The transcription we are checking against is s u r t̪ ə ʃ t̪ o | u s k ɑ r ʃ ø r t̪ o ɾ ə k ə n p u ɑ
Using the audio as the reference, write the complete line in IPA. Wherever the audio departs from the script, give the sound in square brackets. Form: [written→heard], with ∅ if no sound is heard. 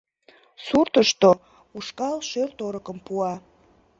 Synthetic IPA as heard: s u r t̪ ə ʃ t̪ o | u [s→ʃ] k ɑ [r→l] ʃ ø r t̪ o ɾ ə k ə [n→m] p u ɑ

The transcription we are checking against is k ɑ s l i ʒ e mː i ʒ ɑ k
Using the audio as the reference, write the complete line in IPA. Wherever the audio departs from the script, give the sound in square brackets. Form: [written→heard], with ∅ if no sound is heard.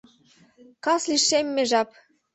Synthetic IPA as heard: k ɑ s l i [ʒ→ʃ] e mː [i→e] ʒ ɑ [k→p]

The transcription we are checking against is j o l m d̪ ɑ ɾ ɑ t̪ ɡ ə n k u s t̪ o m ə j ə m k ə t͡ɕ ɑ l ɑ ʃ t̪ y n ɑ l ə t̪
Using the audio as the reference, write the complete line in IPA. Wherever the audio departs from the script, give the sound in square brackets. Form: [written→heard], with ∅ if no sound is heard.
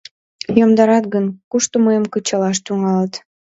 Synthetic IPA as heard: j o [l→∅] m d̪ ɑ ɾ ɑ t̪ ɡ ə n k u [s→ʃ] t̪ o m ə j ə m k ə t͡ɕ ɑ l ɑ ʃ t̪ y [n→ŋ] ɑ l ə t̪

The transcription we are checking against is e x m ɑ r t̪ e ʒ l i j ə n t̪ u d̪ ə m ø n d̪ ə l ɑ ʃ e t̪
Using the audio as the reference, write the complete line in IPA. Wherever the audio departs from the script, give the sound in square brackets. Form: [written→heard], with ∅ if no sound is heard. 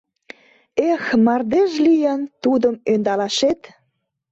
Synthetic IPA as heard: e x m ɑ r [t̪→d̪] e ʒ l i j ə n t̪ u d̪ ə m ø n d̪ [ə→ɑ] l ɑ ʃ e t̪

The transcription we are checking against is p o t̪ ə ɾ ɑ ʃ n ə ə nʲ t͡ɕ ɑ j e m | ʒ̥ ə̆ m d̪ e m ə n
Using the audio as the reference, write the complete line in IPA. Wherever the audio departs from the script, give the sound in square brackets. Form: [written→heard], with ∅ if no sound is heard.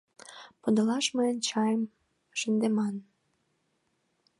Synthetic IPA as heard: p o [t̪→d̪] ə [ɾ→l] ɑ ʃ [n→m] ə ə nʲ t͡ɕ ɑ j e m | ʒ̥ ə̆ [m→n] d̪ e m [ə→ɑ] n

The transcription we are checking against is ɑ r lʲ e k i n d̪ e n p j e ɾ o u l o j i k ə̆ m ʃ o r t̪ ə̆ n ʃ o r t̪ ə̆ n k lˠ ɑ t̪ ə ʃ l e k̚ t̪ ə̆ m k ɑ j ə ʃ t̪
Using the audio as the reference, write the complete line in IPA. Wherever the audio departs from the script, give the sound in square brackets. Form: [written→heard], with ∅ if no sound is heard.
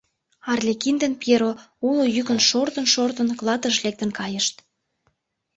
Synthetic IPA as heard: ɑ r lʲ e k i n d̪ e n p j e ɾ o u l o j [i→y] k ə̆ [m→n] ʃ o r t̪ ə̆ n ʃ o r t̪ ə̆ n k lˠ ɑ t̪ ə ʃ l e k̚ t̪ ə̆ [m→n] k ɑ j ə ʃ t̪

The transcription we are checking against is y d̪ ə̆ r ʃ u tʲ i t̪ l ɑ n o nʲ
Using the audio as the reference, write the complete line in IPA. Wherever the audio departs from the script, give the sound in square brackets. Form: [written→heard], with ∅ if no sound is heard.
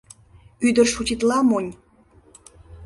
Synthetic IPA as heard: y d̪ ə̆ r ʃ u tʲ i t̪ l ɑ [n→m] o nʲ

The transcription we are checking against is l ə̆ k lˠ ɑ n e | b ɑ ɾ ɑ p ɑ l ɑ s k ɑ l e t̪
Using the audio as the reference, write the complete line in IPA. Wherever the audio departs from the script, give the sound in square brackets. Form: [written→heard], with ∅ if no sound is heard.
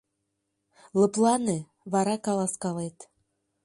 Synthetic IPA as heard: l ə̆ [k→p] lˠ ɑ n e | [b→β] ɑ ɾ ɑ [p→k] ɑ l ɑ s k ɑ l e t̪

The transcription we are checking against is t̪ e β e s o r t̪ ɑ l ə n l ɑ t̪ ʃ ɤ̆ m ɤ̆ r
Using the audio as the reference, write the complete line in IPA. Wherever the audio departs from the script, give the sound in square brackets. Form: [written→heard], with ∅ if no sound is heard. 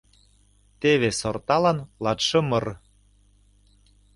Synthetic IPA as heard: t̪ e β e s o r t̪ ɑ l [ə→ɑ] n l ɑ t̪ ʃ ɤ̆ m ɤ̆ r

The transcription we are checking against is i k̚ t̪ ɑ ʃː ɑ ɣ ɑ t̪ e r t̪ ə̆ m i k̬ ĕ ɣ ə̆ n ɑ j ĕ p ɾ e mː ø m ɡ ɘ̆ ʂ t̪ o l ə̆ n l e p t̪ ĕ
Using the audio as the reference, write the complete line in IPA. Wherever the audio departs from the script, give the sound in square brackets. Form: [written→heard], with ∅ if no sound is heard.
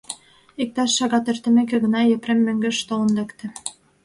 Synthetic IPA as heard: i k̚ t̪ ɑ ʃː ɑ ɣ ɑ t̪ e r t̪ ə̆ m [i→e] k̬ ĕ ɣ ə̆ n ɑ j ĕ p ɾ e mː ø [m→ŋ] ɡ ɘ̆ [ʂ→ʃ] t̪ o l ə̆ n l e [p→k] t̪ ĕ

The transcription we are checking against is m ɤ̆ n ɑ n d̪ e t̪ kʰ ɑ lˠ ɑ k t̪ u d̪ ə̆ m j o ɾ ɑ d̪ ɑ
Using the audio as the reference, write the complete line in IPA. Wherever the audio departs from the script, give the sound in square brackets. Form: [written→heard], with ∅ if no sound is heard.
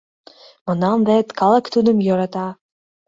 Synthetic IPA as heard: m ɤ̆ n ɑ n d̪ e t̪ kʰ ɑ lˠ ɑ k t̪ u d̪ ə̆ m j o ɾ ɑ [d̪→t̪] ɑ

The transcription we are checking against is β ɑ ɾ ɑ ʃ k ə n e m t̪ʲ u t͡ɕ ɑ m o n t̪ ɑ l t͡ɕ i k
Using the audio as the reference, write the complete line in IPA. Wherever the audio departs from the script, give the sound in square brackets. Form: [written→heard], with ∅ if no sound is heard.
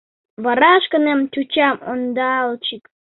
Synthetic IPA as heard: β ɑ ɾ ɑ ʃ k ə n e m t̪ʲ u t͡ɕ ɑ m o n [t̪→d̪] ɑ l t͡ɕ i k

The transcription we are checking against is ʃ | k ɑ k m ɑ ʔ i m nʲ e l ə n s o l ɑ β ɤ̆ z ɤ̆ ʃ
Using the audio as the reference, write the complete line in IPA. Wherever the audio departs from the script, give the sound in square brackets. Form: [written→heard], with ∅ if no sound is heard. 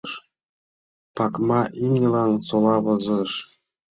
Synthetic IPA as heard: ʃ | [k→p] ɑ k m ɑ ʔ i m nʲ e l [ə→ɑ] n s o l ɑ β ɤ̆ z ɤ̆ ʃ

